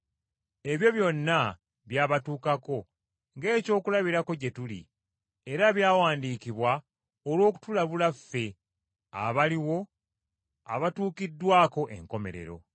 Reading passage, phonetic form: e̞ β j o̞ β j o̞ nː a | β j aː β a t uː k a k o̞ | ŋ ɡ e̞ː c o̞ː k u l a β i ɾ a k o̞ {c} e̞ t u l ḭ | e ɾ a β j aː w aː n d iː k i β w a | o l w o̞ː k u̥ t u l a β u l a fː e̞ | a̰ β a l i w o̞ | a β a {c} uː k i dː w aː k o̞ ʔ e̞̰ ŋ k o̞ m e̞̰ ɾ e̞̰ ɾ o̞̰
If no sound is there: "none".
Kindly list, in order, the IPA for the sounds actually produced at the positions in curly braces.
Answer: ɟ, t

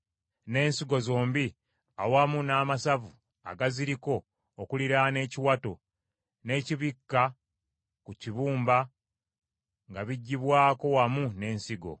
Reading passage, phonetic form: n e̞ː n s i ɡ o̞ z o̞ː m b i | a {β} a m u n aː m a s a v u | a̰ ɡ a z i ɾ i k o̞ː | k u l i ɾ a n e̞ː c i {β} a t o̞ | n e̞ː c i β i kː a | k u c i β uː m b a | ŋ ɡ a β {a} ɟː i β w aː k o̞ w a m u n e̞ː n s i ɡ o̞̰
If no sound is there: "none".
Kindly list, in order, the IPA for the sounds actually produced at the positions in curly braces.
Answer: w, w, i

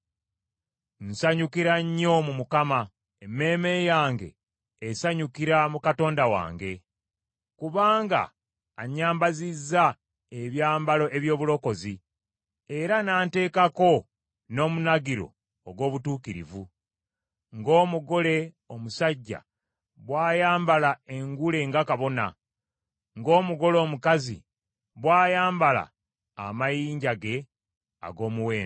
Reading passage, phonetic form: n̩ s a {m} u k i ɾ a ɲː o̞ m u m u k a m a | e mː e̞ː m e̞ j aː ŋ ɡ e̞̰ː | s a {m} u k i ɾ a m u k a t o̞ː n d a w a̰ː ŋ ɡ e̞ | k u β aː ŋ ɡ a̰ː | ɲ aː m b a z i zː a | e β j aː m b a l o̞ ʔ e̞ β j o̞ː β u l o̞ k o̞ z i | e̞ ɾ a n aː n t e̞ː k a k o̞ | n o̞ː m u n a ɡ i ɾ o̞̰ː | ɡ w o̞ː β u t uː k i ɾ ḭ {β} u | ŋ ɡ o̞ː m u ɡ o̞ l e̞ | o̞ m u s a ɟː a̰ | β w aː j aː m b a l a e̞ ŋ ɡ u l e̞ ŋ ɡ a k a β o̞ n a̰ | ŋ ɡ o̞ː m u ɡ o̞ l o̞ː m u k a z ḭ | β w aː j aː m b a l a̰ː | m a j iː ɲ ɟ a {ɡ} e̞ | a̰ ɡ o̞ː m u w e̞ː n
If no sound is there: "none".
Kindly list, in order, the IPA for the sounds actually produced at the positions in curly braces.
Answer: ɲ, ɲ, v, ɡ

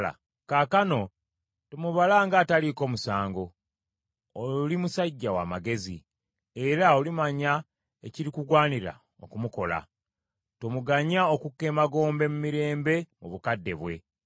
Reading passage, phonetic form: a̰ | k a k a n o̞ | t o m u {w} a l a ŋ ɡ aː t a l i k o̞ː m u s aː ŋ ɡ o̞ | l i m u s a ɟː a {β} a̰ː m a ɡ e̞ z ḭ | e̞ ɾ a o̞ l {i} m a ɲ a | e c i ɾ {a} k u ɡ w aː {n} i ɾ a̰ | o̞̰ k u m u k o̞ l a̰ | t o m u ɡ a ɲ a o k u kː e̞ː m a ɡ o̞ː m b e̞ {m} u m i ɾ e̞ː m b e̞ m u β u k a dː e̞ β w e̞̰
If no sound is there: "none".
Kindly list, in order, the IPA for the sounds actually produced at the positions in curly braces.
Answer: β, w, i, i, n, m

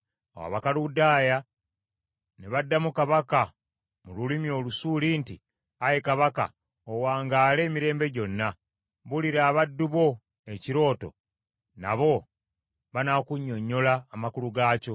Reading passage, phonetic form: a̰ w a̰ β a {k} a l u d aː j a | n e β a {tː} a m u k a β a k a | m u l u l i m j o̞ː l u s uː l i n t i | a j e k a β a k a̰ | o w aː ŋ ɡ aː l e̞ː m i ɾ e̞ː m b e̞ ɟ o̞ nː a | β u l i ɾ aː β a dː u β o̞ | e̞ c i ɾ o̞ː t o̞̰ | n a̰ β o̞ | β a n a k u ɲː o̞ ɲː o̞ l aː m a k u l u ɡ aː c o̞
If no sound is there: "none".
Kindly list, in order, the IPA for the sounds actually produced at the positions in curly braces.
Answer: k, dː

